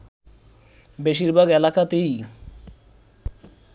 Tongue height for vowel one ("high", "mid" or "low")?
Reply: mid